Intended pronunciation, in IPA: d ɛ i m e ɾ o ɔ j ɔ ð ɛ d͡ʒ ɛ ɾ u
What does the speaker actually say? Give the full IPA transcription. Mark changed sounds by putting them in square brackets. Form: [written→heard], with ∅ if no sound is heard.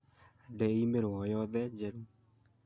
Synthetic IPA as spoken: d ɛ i m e ɾ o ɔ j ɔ ð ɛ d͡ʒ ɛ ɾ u